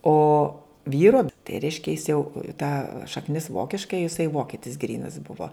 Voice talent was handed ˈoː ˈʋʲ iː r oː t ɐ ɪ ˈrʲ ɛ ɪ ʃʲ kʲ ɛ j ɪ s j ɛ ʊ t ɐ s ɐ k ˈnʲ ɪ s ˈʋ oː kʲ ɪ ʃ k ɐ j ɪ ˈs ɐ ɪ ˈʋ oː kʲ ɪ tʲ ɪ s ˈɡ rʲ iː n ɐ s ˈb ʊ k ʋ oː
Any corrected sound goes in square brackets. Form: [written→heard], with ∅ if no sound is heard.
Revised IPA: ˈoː ˈʋʲ iː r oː t ɐ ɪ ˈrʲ ɛ ɪ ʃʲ kʲ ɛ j ɪ s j ɛ ʊ t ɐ [s→ʃ] ɐ k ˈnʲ ɪ s ˈʋ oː kʲ ɪ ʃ k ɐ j ɪ ˈs ɐ ɪ ˈʋ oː kʲ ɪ tʲ ɪ s ˈɡ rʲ iː n ɐ s ˈb ʊ [k→∅] ʋ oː